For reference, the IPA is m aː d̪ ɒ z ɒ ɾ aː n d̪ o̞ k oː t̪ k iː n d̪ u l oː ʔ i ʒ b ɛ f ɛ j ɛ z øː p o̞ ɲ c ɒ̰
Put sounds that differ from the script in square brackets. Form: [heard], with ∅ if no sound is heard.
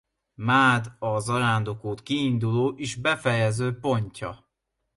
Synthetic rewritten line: m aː d̪ ɒ z ɒ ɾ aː n d̪ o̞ k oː t̪ k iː n d̪ u l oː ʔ i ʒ b ɛ f ɛ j ɛ z øː p o̞ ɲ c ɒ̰